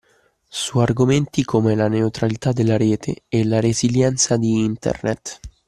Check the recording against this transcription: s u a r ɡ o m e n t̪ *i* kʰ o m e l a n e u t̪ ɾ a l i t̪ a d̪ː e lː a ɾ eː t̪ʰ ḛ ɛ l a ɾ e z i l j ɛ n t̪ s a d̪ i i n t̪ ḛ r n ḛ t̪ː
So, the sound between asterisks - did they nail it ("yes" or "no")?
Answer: yes